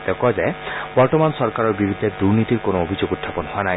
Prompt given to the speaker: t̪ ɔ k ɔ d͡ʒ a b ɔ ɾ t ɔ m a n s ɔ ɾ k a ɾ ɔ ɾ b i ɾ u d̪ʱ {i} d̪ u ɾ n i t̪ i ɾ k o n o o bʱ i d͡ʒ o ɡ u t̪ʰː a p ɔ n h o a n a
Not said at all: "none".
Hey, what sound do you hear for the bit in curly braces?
e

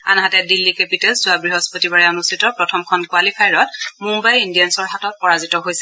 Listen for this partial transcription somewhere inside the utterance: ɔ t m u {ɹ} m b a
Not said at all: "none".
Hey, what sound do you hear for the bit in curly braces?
none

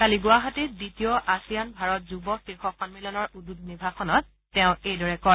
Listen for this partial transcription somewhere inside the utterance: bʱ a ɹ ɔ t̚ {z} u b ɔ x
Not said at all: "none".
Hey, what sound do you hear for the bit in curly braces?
z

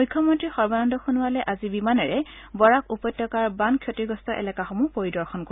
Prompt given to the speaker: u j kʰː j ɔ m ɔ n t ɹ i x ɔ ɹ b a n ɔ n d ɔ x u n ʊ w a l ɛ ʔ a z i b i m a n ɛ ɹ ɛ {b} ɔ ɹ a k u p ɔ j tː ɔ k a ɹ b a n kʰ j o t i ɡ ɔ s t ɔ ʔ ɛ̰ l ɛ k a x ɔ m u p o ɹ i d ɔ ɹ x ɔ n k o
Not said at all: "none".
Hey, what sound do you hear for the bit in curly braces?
b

